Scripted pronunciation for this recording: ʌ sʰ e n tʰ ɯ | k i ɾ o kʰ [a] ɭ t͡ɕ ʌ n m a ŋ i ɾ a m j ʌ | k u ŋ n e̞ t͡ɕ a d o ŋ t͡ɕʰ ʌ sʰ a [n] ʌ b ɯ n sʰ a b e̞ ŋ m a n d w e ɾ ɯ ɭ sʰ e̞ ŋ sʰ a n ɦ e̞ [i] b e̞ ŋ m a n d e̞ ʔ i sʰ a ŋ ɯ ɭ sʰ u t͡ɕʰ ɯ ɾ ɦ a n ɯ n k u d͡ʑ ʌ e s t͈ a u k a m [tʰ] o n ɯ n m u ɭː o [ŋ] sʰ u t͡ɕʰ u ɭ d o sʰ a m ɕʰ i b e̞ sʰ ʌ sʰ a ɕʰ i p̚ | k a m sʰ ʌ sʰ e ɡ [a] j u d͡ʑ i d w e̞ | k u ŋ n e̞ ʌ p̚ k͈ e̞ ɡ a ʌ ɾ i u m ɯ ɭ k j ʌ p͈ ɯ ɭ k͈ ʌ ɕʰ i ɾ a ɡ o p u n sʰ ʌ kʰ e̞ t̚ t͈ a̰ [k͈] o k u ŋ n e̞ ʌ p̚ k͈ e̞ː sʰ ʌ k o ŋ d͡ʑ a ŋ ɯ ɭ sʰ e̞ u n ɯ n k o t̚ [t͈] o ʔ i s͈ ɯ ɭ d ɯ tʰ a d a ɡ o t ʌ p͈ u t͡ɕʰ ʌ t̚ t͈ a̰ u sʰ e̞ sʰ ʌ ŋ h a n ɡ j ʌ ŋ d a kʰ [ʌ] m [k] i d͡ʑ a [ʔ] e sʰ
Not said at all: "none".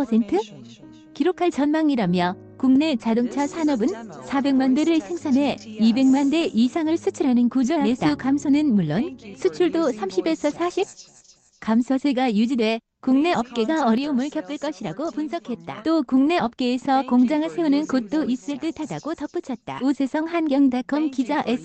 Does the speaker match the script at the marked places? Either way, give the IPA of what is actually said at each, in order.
a, n, i, sʰ, n, a, t͈, t͈, ʌ, k, ʔ

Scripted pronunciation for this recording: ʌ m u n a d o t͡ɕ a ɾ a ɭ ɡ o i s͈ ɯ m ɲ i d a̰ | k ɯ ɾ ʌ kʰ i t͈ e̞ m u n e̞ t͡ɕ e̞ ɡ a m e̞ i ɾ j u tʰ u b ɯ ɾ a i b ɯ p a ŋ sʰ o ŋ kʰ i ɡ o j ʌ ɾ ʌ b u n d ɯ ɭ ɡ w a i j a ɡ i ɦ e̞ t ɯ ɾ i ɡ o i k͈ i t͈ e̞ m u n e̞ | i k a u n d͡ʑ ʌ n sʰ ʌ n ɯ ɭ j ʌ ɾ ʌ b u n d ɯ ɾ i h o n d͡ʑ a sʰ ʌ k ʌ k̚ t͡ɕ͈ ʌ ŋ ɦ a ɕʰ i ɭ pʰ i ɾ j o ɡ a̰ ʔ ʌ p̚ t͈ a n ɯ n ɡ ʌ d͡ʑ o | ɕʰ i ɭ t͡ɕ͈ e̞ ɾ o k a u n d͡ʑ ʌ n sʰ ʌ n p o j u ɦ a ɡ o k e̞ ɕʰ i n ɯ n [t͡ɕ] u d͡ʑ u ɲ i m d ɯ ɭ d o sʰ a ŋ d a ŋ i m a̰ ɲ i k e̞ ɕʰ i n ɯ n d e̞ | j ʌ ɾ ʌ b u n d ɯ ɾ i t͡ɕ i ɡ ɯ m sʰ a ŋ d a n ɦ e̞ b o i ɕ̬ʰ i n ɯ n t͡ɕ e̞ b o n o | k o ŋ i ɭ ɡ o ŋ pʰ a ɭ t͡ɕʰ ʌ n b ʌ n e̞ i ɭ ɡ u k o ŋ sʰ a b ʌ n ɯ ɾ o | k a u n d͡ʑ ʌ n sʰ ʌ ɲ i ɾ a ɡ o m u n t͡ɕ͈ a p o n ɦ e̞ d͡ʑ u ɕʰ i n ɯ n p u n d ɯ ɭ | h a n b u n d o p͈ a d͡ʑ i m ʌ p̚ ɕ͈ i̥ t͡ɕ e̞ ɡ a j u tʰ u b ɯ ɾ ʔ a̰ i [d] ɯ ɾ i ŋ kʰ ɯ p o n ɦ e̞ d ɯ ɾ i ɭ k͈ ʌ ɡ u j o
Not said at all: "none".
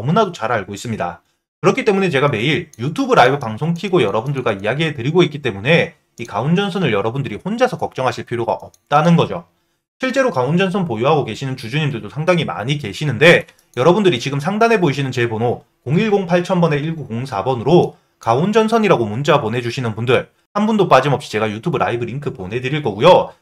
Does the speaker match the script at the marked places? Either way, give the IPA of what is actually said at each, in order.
t͡ɕ, b

